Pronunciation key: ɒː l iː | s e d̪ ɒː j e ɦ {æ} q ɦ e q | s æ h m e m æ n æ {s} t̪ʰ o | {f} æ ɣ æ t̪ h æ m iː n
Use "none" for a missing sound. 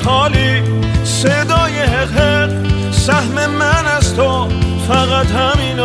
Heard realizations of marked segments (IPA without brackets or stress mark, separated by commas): e, s, f